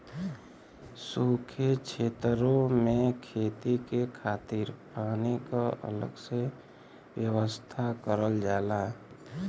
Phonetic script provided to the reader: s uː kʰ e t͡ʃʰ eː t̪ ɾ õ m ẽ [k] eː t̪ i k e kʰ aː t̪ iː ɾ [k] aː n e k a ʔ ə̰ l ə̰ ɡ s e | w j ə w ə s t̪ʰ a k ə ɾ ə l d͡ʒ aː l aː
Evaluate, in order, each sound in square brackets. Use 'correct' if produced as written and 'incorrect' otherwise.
incorrect: kʰ, incorrect: p

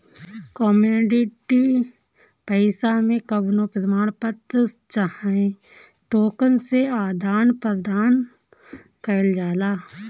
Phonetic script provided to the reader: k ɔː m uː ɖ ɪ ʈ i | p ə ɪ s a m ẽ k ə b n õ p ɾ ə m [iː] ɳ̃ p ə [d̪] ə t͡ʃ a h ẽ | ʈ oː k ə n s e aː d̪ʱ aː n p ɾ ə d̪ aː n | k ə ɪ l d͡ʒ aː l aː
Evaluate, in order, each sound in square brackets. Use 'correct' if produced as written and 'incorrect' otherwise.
incorrect: aː, incorrect: t̪

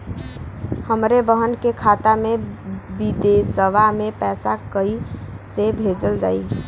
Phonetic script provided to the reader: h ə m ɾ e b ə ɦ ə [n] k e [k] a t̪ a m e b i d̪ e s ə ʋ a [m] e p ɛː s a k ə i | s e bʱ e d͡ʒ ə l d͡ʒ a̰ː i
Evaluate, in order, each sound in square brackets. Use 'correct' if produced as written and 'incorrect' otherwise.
correct, incorrect: kʰ, correct

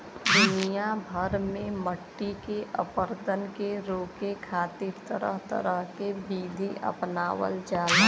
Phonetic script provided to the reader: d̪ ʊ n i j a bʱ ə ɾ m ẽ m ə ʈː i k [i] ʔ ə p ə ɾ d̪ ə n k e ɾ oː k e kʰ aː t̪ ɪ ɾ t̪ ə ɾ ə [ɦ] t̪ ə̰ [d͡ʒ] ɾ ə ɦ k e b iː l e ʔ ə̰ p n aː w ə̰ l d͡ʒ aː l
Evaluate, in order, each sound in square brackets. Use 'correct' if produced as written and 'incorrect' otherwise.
incorrect: e, correct, incorrect: none

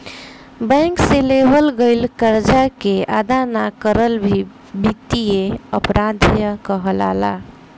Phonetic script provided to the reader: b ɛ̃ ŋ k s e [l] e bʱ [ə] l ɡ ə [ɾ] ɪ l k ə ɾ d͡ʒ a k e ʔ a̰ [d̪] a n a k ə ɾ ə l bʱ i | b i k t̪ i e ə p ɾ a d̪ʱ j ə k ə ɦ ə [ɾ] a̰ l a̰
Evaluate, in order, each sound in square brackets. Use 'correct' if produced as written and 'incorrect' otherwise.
correct, correct, incorrect: none, correct, incorrect: l

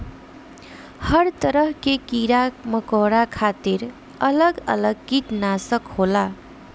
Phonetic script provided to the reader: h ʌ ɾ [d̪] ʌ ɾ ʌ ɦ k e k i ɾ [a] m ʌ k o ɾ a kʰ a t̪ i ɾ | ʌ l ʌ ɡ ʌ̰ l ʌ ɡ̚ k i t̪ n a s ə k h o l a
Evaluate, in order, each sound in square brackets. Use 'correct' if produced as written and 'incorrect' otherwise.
incorrect: t̪, correct

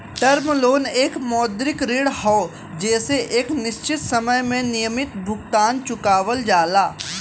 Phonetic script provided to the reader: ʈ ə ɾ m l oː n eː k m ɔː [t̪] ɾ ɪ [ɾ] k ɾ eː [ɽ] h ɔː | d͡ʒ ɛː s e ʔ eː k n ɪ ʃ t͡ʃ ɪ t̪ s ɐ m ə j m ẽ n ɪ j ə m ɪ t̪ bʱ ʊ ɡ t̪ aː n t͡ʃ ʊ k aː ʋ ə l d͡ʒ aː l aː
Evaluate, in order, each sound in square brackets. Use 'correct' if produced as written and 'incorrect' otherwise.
incorrect: d̪, incorrect: none, correct

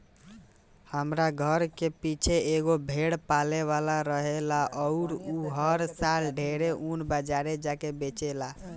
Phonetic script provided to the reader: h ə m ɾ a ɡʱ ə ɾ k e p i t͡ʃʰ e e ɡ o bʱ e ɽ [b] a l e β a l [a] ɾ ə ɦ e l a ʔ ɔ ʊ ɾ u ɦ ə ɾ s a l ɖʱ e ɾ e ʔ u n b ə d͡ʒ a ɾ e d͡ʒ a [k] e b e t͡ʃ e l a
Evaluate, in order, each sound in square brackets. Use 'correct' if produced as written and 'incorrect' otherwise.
incorrect: p, correct, correct

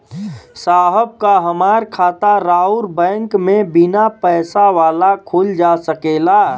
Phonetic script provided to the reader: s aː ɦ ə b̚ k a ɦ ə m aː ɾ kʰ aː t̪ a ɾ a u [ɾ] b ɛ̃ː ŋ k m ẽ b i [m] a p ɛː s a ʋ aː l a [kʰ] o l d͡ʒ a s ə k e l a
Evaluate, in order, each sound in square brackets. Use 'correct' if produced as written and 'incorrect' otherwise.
correct, incorrect: n, correct

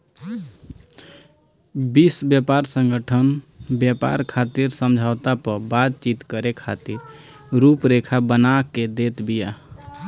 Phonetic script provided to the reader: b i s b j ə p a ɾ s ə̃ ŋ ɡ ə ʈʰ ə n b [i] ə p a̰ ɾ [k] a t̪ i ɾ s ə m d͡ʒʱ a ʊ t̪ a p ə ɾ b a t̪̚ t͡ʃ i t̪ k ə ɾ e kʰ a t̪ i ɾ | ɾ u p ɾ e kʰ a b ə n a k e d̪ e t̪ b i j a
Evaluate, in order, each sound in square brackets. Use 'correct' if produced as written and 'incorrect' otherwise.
incorrect: j, incorrect: kʰ

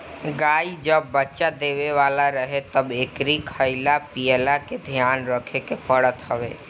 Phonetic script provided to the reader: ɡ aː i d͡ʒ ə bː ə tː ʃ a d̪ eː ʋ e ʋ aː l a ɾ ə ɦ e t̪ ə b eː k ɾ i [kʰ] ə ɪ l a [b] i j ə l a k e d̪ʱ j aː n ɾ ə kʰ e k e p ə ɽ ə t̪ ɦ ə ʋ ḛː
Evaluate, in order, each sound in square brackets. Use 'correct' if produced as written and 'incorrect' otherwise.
correct, incorrect: p

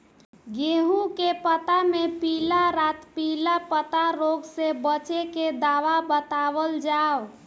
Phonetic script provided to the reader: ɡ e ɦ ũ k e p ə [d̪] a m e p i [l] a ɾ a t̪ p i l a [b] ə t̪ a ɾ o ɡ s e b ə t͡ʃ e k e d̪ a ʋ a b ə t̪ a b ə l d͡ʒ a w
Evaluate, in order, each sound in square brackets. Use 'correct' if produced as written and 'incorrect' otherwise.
incorrect: t̪, correct, incorrect: p

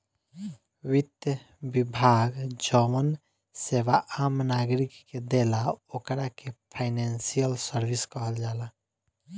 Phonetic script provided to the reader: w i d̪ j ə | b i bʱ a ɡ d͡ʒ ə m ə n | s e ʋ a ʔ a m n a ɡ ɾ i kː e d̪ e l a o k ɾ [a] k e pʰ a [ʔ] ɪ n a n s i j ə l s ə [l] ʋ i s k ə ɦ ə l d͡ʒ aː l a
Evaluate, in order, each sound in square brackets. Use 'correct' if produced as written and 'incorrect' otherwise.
correct, incorrect: none, incorrect: ɾ

